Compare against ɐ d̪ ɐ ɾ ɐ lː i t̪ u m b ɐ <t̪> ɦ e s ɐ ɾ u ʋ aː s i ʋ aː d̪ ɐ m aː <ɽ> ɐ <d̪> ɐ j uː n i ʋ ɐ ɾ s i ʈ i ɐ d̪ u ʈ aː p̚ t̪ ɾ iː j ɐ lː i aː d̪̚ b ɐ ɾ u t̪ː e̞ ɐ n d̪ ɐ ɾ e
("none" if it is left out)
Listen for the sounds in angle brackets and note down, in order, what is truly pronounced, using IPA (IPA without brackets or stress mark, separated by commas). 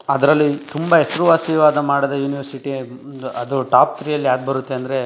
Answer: none, ɽ, d̪